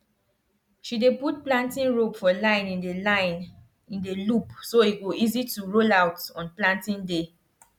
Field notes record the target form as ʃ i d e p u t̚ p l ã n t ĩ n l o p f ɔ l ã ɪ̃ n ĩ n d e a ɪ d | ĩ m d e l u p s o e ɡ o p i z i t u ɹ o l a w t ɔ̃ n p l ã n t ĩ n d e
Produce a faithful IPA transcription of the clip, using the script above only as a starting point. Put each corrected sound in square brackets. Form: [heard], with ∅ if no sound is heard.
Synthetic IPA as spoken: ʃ i d e p u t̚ p l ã n t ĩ n [ɹ] o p f ɔ l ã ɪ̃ n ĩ n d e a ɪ [n] | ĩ [n] d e l u p s o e ɡ o [∅] i z i t u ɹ o l a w t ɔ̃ n p l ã n t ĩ n d e